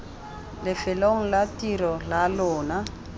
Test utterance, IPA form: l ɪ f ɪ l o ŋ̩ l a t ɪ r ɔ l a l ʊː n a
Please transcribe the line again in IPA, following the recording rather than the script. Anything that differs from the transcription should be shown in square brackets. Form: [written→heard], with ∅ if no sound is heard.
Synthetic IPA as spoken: l ɪ f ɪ l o ŋ̩ l a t [ɪ→i] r ɔ l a l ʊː n a